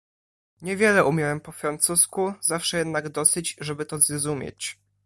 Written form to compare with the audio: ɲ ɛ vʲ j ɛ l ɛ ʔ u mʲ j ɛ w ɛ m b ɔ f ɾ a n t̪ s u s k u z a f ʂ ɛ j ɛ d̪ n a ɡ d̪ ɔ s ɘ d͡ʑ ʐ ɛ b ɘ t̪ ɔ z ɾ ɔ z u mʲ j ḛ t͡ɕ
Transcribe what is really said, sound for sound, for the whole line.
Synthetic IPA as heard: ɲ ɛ vʲ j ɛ l ɛ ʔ u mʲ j ɛ w ɛ m p ɔ f ɾ a n t̪ s u s k u z a f ʂ ɛ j ɛ d̪ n a ɡ d̪ ɔ s ɘ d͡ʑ ʐ ɛ b ɘ t̪ ɔ z ɾ ɔ z u mʲ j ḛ t͡ɕ